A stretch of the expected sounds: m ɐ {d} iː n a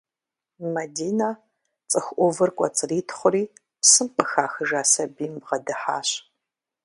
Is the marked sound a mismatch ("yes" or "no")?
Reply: no